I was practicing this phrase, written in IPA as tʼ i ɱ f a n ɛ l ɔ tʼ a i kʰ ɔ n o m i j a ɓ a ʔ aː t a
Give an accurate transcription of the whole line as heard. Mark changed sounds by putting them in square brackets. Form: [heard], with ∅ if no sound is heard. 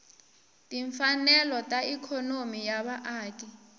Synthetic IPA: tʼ i ɱ f a n ɛ l ɔ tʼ a i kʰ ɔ n o m i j a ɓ a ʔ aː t [i]